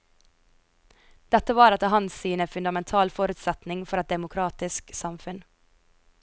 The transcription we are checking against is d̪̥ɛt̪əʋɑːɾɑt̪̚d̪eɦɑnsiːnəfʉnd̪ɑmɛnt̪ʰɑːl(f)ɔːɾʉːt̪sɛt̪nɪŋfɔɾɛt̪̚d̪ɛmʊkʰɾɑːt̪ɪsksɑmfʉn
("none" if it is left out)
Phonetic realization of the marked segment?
f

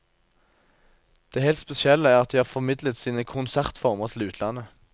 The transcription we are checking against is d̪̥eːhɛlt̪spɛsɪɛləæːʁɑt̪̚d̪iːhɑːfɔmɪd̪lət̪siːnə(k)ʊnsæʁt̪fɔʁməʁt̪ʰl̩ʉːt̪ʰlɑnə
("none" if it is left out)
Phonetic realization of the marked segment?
kʰ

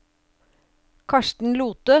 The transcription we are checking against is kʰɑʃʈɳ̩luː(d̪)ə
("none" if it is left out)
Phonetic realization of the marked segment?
t̪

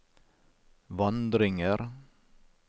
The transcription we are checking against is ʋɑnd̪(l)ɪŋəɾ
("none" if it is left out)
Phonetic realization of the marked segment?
ɾ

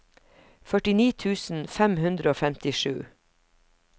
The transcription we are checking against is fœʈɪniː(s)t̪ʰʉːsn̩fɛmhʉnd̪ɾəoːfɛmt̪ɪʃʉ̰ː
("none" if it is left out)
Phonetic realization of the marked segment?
none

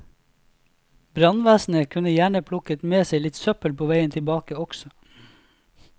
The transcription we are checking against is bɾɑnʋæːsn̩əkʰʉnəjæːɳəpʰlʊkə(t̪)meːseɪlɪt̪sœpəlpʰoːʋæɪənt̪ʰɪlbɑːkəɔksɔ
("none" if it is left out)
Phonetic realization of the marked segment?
t̪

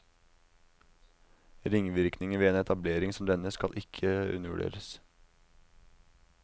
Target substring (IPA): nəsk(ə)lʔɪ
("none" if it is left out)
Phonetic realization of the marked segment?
ɑ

